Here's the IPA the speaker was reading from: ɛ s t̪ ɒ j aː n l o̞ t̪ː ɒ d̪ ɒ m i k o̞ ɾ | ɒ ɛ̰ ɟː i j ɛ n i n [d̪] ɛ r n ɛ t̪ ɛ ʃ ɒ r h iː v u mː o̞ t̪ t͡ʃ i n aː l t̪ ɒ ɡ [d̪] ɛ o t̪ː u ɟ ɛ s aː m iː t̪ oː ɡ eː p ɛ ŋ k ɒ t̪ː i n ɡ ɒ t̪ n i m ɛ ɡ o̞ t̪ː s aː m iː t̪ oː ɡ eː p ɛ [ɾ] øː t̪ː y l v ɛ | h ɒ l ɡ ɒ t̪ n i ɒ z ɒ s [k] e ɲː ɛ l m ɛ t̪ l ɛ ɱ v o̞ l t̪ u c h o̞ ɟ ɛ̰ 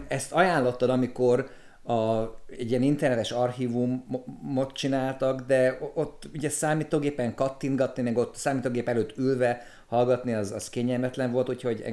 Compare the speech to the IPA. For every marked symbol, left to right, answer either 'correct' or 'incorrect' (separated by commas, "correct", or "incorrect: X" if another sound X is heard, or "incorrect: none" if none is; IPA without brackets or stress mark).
incorrect: t̪, correct, incorrect: l, correct